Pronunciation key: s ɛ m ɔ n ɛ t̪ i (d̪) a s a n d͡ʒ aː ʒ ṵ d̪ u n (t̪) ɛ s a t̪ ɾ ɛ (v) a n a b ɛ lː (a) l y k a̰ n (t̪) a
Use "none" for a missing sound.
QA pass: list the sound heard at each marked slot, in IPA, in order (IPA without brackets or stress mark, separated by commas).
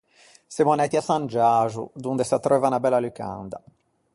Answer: none, d̪, v, a, d̪